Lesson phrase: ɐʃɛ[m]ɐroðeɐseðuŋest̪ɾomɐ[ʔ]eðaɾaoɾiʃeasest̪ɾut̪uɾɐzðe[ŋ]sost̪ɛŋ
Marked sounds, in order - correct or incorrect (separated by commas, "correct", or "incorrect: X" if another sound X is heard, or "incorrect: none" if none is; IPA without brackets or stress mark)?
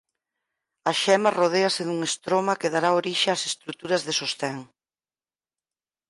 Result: correct, incorrect: k, incorrect: none